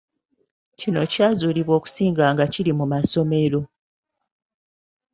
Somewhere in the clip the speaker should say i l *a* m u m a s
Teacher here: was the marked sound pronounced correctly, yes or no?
no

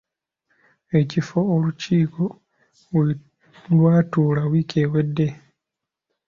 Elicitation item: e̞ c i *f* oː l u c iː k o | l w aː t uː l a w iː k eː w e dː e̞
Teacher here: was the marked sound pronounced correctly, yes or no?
yes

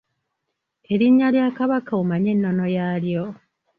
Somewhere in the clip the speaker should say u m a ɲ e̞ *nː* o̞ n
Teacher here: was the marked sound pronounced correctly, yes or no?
yes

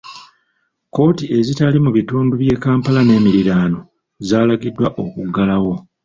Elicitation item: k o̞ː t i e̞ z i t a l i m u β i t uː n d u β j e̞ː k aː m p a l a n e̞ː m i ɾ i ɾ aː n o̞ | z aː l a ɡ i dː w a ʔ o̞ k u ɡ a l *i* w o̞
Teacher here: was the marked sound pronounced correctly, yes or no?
no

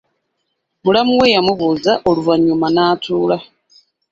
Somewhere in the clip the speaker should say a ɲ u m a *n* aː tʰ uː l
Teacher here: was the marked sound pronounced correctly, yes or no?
yes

